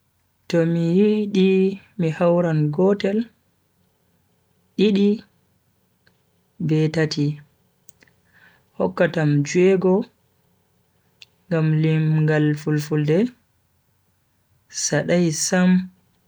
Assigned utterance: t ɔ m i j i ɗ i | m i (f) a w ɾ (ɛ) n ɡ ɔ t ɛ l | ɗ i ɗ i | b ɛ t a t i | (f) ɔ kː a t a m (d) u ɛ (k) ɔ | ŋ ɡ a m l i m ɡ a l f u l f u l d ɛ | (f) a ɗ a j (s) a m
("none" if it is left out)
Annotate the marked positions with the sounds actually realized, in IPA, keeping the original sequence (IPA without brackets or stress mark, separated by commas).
h, a, h, d͡ʒ, ɡ, s, s